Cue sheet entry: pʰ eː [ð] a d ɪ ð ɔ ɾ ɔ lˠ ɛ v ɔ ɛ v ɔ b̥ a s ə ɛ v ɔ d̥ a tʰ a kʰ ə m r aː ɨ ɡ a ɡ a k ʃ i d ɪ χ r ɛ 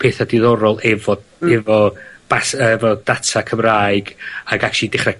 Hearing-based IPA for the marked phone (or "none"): θ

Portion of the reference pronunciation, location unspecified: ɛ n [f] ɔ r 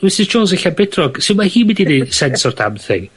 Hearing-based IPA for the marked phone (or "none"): s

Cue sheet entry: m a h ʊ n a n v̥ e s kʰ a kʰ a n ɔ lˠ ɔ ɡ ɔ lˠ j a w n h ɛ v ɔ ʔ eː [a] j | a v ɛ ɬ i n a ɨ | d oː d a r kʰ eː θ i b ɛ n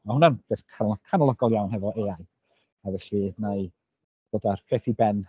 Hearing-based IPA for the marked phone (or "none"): a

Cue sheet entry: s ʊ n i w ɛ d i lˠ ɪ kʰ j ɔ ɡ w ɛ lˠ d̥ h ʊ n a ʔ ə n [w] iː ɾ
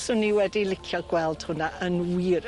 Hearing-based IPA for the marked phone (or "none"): w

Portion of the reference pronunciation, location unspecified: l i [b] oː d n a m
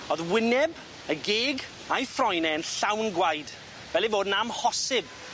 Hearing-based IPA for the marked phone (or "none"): v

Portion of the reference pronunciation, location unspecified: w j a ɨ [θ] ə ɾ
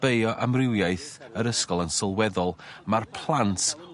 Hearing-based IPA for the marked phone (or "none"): θ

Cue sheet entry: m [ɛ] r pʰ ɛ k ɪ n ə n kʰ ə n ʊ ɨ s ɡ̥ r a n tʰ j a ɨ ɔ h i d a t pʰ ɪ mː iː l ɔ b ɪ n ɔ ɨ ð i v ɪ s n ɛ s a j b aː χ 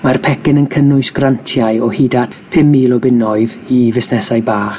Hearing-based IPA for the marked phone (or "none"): a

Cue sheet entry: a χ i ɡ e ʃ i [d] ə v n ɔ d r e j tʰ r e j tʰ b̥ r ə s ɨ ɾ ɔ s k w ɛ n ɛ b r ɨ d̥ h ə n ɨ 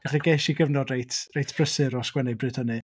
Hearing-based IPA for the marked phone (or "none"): ɡ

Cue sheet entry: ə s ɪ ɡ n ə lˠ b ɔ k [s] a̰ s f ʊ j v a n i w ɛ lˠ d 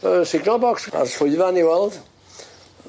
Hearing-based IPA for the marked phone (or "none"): s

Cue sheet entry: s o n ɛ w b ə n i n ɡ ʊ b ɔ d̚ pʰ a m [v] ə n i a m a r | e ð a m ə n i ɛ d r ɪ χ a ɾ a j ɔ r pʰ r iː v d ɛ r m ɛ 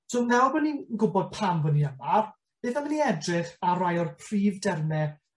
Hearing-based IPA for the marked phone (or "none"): v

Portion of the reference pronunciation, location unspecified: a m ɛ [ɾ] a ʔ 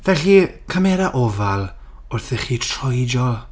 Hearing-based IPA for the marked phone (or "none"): ɾ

